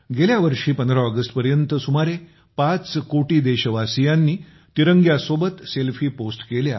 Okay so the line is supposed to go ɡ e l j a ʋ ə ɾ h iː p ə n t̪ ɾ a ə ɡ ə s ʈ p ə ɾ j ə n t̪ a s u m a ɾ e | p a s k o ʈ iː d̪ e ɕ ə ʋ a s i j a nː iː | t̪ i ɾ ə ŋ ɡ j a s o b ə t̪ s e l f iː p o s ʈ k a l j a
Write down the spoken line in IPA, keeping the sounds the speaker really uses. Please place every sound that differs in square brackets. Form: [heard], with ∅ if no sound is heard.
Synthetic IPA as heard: ɡ e l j a ʋ ə ɾ [ʂ] iː p ə n [d̪] ɾ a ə ɡ ə s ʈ p ə ɾ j ə n t̪ [ə] s u m a ɾ e | p a [t͡s] k o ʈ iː d̪ e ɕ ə ʋ a s i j a nː iː | t̪ i ɾ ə ŋ ɡ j a s o b ə t̪ s e l f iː p o s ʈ k [e] l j a